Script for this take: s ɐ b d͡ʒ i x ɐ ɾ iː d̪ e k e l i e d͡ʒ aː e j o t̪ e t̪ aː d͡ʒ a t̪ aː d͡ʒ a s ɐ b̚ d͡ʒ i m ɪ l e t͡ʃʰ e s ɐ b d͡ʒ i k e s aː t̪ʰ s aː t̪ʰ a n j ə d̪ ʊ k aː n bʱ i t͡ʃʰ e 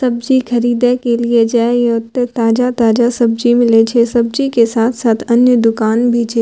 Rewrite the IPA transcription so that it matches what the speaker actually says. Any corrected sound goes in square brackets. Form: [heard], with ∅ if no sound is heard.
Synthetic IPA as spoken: s ɐ b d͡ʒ i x ɐ ɾ iː d̪ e k e l i e d͡ʒ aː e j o t̪ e t̪ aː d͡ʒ a t̪ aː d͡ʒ a s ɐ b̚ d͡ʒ i m ɪ l e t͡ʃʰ e s ɐ b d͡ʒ i k e s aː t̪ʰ s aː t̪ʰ [ɐ] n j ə d̪ ʊ k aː n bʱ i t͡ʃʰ e